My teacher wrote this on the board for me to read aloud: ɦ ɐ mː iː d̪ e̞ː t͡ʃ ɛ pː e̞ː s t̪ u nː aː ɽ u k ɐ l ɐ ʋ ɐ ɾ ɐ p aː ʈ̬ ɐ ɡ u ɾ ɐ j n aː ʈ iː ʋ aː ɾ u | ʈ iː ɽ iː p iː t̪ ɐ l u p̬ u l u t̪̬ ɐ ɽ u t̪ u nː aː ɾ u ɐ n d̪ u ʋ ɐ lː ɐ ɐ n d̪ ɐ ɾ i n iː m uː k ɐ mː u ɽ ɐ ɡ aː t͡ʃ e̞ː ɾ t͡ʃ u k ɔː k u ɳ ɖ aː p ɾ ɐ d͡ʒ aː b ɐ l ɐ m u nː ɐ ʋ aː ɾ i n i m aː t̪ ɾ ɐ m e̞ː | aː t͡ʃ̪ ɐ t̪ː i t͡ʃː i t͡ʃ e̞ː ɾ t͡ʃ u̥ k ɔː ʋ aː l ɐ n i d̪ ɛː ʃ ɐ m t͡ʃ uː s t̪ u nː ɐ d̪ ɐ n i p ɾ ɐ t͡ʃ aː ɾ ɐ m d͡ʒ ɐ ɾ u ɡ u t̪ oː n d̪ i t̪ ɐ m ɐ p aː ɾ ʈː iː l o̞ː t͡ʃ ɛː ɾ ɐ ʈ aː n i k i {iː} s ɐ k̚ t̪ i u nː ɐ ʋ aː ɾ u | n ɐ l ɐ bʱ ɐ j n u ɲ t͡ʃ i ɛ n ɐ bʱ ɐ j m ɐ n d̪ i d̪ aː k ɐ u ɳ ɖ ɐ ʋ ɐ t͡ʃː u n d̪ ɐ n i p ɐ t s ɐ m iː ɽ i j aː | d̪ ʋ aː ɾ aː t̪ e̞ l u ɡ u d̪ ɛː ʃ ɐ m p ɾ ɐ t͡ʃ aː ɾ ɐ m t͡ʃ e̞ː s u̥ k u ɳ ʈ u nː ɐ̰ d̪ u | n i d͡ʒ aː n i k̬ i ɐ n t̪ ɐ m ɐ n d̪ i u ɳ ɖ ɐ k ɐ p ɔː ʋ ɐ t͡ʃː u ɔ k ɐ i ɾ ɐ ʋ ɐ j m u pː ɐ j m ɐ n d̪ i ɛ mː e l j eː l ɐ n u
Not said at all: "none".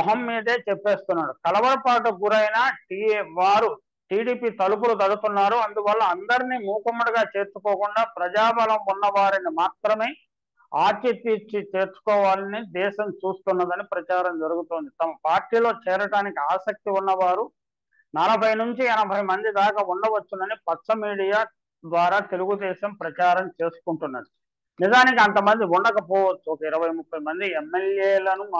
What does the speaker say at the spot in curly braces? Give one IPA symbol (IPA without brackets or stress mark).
aː